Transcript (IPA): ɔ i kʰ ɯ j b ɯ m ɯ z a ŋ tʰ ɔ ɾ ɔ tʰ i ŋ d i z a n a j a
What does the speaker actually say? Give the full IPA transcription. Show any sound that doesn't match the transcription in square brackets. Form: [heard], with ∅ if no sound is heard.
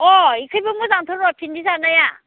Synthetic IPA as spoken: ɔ i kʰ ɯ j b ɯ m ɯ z a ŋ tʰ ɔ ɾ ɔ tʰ i [n] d i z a n a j a